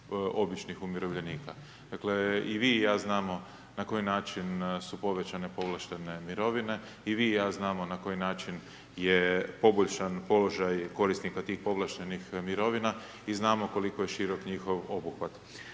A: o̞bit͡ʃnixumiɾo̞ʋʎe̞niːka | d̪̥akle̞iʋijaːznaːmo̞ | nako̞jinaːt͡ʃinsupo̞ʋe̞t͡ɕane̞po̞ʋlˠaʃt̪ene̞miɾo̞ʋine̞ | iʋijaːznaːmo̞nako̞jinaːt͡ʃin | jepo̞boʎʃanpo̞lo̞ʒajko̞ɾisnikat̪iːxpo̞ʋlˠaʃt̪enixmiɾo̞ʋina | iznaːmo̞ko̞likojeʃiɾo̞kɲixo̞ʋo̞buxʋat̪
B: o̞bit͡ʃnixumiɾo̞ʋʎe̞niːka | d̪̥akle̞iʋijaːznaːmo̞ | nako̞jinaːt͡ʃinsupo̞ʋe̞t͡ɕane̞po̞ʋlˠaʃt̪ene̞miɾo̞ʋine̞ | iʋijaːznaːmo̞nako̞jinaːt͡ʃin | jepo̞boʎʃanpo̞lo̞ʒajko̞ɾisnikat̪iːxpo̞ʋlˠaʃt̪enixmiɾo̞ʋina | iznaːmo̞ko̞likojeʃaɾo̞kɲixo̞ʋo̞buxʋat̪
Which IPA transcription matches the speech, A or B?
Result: A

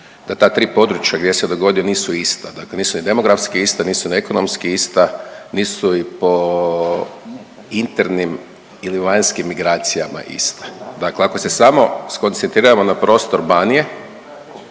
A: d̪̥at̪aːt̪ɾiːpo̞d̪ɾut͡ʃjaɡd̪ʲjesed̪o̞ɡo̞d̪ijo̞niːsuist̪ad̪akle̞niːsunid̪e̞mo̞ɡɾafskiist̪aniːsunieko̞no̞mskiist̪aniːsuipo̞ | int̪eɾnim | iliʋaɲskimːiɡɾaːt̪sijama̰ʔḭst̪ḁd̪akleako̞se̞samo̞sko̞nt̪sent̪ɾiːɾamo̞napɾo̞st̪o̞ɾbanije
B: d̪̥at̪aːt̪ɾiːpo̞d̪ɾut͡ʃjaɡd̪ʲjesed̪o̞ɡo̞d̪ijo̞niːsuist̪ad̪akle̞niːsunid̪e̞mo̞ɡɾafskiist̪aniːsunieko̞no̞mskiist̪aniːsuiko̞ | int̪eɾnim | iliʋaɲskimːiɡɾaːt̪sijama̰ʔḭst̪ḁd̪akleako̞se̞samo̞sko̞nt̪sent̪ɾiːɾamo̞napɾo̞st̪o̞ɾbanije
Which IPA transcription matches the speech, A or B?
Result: A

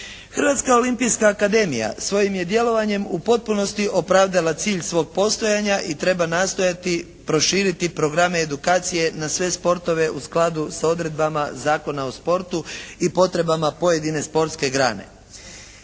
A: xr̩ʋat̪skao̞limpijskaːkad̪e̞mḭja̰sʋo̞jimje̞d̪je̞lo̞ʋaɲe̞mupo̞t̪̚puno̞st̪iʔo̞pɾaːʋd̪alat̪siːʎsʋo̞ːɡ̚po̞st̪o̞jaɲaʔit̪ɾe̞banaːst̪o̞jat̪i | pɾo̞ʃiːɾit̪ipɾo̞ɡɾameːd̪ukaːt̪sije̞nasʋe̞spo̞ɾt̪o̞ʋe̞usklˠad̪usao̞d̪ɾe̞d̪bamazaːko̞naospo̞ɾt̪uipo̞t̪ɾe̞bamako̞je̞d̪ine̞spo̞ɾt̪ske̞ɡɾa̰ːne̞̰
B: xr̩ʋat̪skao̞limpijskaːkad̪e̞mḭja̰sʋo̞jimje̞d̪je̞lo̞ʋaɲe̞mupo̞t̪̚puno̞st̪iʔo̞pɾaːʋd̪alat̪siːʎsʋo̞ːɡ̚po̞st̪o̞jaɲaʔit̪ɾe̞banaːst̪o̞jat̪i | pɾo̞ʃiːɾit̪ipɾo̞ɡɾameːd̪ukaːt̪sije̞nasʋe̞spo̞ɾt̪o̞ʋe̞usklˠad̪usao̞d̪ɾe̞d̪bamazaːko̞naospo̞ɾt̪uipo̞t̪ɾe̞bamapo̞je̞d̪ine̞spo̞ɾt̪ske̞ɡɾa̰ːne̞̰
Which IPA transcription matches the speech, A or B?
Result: B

